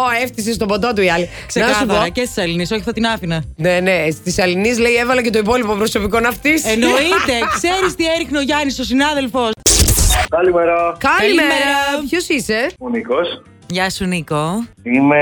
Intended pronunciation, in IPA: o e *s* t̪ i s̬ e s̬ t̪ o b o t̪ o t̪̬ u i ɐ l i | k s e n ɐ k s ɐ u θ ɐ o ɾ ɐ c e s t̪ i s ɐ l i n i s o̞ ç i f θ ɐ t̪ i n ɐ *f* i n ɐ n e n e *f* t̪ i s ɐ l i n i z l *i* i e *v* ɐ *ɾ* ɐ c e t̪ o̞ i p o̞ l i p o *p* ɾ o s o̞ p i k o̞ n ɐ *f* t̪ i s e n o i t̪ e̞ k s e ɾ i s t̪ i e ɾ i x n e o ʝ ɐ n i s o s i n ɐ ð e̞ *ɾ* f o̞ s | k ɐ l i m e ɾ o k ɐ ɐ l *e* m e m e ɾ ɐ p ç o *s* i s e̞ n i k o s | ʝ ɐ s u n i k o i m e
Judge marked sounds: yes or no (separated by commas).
no, yes, no, no, yes, no, yes, yes, no, no, yes